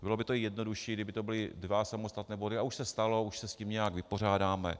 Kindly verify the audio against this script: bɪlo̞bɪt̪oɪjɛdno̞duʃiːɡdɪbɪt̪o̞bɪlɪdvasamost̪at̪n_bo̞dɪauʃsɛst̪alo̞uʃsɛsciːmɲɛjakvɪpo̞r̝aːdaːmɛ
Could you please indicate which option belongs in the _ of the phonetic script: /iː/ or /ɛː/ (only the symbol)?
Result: ɛː